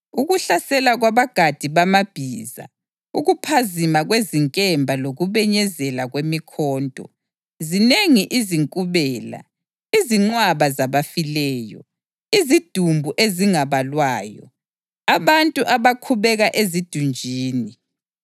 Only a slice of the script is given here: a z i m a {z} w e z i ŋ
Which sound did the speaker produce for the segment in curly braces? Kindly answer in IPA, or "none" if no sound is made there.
ɣ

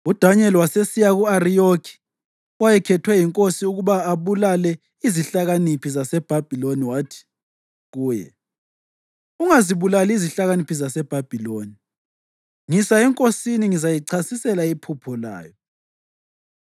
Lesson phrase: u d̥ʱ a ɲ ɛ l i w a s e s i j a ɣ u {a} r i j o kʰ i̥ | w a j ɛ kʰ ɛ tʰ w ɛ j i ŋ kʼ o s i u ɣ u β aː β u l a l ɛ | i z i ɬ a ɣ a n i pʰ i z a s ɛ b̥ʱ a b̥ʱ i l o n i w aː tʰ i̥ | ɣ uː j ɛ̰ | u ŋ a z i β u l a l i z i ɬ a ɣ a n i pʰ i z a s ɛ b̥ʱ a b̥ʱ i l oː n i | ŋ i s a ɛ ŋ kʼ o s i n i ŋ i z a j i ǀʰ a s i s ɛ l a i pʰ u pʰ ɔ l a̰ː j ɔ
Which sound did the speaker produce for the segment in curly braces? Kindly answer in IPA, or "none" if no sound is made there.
a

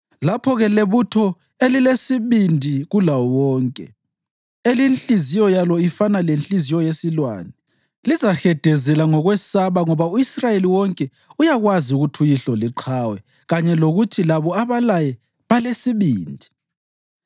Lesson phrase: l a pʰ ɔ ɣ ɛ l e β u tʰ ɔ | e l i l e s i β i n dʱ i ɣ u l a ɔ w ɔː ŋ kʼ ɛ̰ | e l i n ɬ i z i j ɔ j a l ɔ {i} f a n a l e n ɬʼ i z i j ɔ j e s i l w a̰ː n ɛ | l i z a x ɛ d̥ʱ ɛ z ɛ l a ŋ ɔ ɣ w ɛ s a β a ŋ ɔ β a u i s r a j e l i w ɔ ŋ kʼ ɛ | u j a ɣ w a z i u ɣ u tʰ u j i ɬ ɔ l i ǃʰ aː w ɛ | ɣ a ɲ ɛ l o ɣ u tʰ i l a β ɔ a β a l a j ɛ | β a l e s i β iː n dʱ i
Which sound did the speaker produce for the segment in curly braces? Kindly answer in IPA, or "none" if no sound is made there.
i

